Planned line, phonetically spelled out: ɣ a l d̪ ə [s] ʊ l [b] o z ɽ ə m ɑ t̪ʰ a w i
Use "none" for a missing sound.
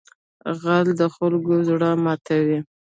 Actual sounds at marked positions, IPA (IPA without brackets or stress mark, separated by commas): x, ɡ